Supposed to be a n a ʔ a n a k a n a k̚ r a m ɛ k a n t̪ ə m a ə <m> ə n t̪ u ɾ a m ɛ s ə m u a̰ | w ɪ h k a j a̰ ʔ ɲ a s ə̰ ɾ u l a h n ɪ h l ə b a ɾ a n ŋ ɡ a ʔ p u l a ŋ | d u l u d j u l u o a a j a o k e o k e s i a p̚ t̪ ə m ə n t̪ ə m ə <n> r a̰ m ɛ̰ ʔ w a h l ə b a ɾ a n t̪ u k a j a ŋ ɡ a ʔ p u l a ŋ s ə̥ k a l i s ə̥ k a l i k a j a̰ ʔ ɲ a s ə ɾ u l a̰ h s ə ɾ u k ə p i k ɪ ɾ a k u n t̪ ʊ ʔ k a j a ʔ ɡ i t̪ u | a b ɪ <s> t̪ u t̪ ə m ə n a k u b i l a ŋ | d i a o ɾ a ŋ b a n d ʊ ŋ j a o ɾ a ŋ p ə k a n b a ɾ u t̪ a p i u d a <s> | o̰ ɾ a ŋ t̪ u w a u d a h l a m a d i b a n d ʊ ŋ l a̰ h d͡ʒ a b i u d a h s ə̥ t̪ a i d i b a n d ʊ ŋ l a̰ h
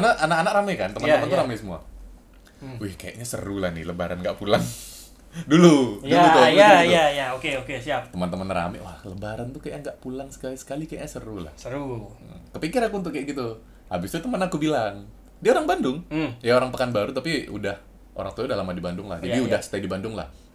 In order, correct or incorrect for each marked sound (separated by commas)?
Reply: correct, correct, correct, incorrect